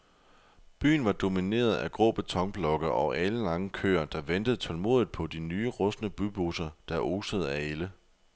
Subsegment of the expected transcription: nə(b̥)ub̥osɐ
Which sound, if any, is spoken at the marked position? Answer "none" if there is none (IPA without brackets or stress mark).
b̥